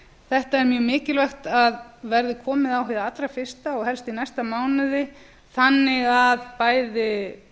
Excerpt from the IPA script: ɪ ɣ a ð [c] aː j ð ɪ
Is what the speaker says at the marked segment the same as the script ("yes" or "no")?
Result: no